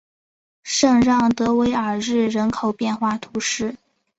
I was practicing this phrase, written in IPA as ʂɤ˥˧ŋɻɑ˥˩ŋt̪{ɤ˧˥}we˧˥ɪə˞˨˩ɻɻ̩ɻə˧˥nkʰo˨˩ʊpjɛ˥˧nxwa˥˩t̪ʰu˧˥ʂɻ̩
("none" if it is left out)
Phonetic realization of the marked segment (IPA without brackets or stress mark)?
ɤ˧˥